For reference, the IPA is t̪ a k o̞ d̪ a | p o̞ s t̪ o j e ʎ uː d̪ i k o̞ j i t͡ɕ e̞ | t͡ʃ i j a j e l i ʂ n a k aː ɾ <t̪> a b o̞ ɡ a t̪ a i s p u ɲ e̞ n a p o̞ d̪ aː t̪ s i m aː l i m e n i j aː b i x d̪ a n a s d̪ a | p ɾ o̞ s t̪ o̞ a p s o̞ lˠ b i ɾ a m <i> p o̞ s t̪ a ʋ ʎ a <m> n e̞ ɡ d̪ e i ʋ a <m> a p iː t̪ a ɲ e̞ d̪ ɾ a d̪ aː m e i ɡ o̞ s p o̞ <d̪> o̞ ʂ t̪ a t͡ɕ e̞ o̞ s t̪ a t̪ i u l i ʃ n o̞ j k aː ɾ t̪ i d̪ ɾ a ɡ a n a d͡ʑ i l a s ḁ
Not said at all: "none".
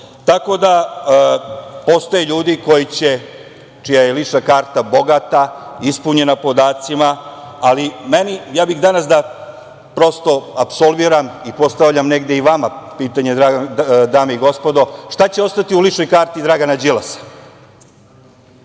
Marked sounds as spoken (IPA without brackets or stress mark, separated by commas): t̪, i, m, m, d̪